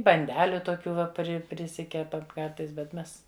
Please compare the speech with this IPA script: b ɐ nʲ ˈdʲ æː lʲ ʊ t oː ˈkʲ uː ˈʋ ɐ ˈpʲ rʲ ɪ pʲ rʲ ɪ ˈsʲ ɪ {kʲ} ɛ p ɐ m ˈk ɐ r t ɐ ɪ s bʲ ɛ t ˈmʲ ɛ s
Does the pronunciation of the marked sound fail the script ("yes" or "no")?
no